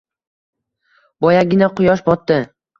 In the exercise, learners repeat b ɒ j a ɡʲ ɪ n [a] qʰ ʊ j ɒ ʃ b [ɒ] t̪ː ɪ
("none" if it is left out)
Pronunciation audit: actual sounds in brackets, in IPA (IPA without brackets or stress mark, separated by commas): a, ɒ